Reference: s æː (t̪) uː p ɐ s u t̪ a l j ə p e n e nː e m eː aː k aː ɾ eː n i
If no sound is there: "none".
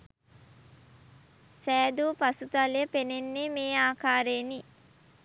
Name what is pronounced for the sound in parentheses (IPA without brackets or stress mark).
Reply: d̪